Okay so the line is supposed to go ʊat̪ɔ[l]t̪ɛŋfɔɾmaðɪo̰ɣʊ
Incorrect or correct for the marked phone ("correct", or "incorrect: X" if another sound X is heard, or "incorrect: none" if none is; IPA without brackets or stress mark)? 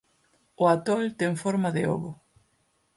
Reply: correct